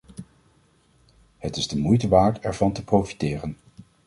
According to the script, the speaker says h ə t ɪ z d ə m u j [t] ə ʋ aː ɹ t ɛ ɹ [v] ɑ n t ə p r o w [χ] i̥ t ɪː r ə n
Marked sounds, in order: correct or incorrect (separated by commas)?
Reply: correct, correct, incorrect